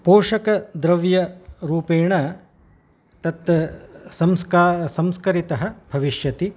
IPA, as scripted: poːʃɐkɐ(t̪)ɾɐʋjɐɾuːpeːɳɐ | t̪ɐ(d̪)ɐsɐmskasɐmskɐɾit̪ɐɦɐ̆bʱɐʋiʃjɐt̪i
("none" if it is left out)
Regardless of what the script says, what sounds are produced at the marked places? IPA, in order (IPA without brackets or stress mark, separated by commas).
d̪, t̪